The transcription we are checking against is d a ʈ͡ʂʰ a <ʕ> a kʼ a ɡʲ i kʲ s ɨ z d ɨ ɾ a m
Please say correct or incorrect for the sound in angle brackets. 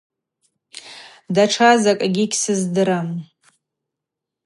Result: incorrect